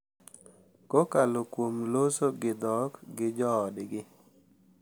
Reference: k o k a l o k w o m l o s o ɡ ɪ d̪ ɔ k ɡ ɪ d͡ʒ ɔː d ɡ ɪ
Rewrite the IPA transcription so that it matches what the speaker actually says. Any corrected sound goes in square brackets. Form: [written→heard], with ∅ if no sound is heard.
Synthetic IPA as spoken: k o k a l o k w o m l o s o ɡ ɪ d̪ ɔ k ɡ ɪ d͡ʒ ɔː d ɡ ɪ